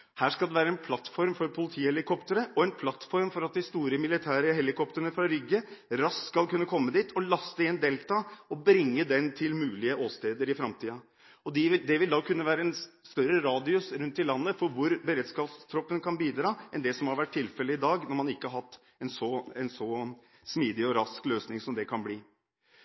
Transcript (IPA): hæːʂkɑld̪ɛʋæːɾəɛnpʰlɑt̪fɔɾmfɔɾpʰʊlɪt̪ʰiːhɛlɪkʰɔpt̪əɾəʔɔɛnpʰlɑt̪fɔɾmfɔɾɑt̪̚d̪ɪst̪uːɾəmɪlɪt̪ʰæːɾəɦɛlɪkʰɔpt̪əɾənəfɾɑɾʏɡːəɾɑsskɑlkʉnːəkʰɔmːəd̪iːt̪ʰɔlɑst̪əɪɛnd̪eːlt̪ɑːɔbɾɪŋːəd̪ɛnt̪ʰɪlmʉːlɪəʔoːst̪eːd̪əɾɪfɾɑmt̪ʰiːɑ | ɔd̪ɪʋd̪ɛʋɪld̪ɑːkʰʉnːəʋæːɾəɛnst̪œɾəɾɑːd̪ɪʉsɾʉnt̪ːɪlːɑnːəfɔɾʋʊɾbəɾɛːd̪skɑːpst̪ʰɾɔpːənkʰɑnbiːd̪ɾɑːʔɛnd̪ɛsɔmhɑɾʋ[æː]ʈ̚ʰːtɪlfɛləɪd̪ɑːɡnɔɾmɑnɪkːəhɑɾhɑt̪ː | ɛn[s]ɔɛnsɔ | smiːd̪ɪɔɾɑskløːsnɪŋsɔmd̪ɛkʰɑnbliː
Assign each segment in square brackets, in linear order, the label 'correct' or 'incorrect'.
incorrect: æ, correct

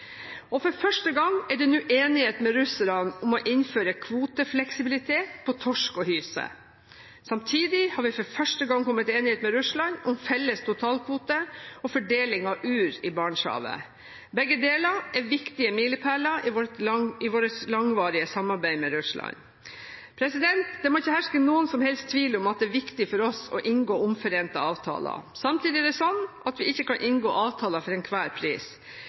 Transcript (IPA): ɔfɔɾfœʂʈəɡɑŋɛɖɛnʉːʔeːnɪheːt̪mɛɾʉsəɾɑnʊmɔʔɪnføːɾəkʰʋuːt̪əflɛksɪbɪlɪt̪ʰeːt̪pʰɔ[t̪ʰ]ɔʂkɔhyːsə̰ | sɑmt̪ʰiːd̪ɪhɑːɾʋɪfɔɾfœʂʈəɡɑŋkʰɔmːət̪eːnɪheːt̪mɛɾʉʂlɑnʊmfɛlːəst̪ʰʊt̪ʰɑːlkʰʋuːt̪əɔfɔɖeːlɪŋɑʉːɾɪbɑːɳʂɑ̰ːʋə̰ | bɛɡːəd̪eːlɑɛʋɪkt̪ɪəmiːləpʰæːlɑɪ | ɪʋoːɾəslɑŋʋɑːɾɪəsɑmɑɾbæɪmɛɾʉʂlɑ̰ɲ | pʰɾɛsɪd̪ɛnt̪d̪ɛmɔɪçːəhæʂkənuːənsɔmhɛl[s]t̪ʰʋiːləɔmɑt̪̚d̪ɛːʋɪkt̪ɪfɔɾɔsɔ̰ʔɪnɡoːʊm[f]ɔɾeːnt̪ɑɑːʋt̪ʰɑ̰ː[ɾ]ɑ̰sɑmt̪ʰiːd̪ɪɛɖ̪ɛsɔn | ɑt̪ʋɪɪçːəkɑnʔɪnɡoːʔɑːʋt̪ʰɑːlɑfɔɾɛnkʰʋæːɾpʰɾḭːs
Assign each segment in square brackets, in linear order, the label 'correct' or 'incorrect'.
correct, correct, correct, incorrect: l

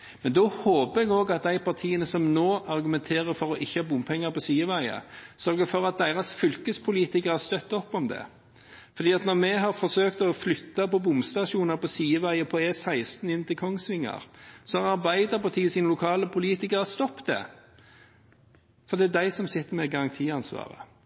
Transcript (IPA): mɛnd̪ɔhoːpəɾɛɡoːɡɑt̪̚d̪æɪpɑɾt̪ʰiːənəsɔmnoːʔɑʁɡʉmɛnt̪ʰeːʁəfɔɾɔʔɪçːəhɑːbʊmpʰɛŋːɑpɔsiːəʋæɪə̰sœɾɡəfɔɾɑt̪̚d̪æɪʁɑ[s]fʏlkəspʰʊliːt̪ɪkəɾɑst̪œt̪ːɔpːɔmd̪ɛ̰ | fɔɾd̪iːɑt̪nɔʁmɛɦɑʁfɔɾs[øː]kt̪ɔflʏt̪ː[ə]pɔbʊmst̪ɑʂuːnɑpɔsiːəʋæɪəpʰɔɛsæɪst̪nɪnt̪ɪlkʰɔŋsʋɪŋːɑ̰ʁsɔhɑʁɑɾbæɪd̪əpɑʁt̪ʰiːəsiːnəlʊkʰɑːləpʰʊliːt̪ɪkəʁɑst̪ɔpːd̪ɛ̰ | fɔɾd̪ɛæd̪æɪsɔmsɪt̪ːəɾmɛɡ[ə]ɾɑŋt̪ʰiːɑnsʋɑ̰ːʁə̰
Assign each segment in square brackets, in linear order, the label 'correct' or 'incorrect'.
correct, correct, incorrect: ɑ, incorrect: ɑ

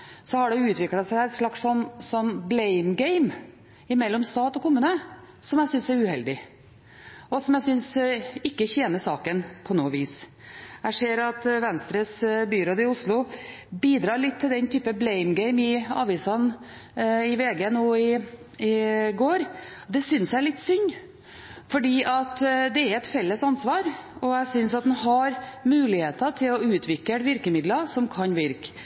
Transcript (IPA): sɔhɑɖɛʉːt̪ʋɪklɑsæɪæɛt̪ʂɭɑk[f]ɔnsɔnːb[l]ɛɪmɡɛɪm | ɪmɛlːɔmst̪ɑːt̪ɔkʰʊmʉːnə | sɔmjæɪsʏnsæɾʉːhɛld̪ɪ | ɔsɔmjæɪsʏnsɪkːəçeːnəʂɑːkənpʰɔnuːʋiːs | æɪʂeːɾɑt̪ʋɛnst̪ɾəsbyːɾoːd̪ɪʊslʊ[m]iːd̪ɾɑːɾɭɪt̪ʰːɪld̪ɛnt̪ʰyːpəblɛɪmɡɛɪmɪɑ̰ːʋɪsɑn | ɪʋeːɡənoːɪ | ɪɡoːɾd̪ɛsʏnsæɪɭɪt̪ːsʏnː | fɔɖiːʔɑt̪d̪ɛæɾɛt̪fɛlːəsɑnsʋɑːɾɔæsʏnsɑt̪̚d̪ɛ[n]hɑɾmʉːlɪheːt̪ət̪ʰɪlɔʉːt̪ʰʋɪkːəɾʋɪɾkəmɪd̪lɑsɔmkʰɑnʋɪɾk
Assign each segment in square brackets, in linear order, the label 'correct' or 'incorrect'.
incorrect: s, correct, incorrect: b, correct

